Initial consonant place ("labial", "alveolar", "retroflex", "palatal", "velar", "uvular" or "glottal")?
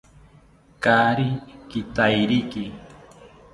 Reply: velar